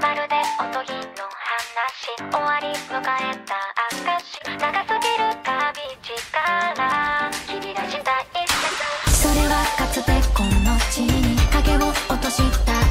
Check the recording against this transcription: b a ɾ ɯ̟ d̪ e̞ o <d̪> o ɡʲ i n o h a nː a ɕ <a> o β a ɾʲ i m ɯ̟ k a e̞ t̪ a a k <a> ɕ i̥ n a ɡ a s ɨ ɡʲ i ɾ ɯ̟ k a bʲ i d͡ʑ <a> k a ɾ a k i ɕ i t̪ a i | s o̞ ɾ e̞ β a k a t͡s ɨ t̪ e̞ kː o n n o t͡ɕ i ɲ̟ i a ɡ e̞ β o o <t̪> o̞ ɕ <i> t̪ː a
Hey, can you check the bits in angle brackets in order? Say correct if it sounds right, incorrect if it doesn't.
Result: incorrect, incorrect, correct, incorrect, correct, correct

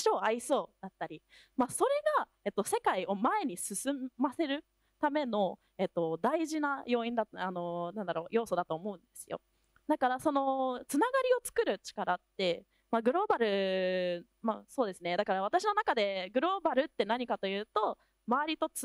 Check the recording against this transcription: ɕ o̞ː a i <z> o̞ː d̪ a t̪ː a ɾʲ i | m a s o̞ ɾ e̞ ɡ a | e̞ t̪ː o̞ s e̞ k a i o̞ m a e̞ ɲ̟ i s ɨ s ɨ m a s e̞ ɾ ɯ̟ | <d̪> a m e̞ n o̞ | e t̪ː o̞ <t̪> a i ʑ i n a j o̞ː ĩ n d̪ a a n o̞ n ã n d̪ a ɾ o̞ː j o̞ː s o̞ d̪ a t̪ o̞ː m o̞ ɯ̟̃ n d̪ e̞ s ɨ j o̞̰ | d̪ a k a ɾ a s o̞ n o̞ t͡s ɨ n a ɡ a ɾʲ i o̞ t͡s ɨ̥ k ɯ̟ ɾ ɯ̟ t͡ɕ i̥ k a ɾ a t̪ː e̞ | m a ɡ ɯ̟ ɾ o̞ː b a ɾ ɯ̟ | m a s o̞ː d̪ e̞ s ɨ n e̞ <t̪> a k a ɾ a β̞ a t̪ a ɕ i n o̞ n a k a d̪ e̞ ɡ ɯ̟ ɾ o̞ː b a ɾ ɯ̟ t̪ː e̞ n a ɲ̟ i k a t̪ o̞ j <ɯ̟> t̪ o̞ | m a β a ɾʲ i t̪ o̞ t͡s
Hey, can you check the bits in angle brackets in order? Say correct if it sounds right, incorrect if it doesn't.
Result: incorrect, incorrect, incorrect, incorrect, incorrect

